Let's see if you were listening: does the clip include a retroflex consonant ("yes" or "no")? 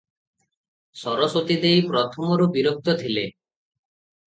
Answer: no